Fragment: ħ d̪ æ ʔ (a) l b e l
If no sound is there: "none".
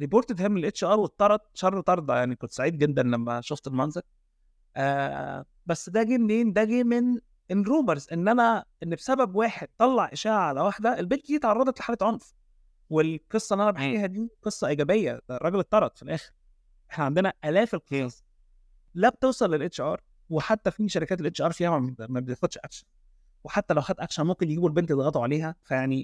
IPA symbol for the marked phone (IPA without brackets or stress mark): e